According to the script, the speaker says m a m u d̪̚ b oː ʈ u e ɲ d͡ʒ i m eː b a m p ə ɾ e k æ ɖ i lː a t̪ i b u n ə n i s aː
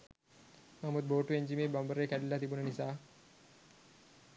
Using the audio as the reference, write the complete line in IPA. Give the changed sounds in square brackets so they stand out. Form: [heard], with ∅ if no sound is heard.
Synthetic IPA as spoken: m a m u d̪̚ b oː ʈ u e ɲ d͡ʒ i m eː b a m [b] ə ɾ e k æ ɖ i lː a t̪ i b u n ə n i s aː